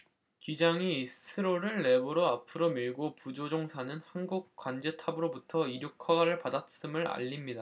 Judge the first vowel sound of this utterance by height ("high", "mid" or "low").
high